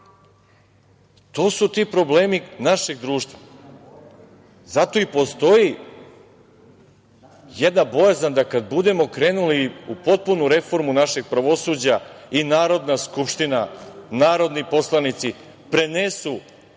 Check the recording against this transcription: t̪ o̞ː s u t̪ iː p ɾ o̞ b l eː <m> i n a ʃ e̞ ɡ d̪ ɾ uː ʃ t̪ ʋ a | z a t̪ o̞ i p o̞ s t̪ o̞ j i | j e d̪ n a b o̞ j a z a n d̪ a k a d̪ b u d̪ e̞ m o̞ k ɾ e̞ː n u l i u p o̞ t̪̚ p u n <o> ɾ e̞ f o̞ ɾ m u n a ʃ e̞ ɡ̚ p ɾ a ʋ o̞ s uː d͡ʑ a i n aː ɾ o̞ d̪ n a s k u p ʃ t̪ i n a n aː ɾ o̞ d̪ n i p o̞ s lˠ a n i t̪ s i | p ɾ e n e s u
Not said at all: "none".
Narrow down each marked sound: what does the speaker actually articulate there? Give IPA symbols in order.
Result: m, u

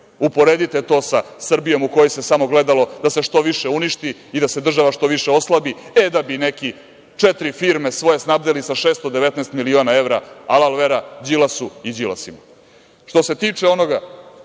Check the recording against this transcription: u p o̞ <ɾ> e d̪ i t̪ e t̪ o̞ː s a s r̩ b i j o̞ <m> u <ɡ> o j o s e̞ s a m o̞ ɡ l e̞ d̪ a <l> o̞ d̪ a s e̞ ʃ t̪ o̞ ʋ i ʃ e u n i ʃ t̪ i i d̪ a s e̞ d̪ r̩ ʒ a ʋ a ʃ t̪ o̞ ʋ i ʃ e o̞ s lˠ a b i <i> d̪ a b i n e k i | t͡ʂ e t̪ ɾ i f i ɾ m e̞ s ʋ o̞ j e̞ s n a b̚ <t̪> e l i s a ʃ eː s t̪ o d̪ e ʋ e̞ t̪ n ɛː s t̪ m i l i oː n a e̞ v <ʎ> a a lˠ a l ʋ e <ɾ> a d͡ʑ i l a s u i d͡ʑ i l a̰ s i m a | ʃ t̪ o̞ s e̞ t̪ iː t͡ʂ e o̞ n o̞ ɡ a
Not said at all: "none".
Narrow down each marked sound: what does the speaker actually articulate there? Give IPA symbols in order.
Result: ɾ, m, k, l, e, d̪, ɾ, ɾ

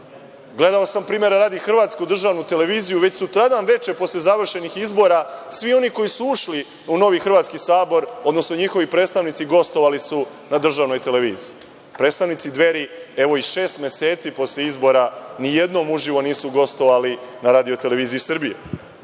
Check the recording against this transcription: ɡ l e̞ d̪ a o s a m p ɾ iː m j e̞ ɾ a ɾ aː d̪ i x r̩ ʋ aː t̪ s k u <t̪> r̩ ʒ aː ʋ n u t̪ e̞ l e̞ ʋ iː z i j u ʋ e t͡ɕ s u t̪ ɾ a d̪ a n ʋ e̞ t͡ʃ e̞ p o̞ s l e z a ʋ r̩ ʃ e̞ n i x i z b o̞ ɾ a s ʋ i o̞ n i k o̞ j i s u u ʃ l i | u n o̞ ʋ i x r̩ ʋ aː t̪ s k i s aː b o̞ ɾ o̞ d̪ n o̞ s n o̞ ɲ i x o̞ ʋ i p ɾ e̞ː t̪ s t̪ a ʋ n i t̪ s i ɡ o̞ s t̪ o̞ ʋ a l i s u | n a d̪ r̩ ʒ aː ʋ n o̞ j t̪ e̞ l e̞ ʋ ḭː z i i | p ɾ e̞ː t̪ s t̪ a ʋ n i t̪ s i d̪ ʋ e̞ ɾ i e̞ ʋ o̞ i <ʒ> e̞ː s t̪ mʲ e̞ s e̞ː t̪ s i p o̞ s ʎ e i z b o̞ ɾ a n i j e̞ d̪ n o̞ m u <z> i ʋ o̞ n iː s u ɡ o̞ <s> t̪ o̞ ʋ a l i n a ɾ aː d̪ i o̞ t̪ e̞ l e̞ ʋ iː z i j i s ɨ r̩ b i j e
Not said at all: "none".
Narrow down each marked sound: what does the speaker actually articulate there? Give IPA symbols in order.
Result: d̪, ʃ, ʒ, s

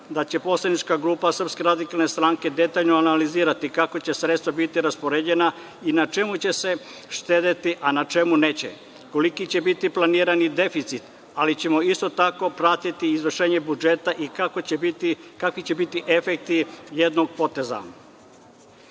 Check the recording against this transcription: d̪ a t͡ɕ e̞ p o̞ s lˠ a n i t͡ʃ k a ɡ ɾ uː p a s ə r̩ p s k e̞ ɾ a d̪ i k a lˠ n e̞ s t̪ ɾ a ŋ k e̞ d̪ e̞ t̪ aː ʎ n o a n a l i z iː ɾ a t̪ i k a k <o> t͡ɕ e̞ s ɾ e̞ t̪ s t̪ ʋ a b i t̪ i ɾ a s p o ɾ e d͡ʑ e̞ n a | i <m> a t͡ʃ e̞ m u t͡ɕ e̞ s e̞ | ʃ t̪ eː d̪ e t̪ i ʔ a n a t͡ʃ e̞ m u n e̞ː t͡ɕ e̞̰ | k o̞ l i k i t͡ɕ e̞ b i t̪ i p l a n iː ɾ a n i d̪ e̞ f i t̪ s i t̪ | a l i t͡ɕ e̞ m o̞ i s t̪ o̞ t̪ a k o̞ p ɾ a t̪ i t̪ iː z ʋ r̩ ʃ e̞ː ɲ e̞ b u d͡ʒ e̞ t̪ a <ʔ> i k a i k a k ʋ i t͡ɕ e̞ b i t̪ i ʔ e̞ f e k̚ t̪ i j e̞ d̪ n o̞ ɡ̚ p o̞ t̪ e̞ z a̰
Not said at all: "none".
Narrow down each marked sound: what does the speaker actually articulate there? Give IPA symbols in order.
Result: o, n, ʔ

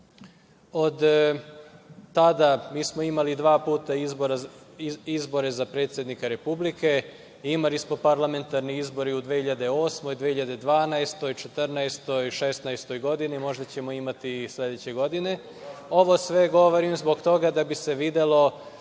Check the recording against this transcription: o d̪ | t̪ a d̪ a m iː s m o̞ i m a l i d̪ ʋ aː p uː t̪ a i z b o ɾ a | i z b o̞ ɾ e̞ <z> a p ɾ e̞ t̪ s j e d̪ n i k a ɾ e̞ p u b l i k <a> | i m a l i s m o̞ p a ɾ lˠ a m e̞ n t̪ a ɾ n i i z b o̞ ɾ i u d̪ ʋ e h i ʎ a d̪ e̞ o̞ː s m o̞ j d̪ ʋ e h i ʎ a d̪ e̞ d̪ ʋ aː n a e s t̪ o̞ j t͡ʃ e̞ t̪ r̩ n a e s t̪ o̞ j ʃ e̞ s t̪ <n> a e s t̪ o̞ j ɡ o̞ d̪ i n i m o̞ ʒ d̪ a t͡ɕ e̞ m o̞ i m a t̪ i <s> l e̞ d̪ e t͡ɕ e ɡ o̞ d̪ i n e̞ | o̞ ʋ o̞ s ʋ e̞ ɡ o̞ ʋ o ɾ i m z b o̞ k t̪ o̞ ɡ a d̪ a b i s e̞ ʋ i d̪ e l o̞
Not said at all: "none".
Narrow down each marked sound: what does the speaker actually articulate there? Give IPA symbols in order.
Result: z, e, n, s

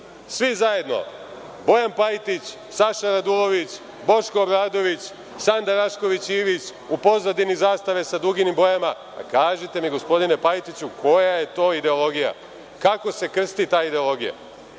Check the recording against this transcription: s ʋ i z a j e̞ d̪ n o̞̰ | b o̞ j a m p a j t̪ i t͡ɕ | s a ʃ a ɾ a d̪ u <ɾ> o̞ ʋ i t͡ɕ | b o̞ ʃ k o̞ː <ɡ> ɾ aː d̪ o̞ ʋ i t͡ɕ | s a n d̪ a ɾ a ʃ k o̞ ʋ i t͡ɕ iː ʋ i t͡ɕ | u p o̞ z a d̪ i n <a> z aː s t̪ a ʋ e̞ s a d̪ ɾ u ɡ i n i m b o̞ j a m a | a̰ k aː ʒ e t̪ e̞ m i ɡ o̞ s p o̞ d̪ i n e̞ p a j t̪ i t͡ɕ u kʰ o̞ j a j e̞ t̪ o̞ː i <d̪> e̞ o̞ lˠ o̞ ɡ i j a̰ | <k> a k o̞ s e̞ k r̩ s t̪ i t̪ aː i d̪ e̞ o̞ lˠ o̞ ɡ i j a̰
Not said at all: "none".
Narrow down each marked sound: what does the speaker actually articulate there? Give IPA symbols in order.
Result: l, b, i, d̪, k

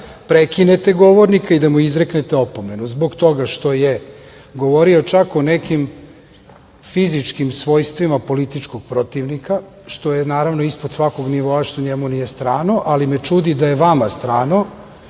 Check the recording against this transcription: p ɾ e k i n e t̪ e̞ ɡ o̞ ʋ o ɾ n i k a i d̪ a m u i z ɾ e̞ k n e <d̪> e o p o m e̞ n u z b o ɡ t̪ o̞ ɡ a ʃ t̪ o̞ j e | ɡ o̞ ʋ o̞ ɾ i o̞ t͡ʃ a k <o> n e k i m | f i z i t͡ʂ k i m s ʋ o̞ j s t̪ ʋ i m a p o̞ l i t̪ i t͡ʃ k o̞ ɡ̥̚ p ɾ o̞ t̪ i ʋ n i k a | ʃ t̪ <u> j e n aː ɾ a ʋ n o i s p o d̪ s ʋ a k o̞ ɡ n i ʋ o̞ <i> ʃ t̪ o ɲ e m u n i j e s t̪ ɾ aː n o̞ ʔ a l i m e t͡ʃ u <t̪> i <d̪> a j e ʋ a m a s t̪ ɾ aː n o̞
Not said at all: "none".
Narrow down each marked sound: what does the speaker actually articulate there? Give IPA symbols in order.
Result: t̪, o, o, a, d̪, d̪

